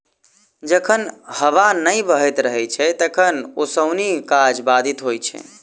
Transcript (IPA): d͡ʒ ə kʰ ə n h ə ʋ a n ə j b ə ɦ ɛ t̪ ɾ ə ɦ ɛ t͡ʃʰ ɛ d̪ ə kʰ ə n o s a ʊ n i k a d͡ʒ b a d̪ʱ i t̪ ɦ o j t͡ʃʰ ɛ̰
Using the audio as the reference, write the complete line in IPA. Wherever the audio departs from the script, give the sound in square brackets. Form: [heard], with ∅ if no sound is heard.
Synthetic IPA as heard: d͡ʒ ə kʰ ə n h ə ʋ a n ə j b ə ɦ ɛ t̪ ɾ ə ɦ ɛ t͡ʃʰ ɛ [t̪] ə kʰ ə n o s [ə] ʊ n i k a d͡ʒ b a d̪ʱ i t̪ ɦ o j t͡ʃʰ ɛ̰